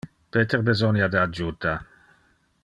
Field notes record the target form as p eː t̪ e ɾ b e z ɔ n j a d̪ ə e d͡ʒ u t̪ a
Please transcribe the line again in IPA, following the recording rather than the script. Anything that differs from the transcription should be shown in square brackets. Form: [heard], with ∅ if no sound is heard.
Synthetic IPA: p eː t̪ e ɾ b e z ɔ n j a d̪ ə [a] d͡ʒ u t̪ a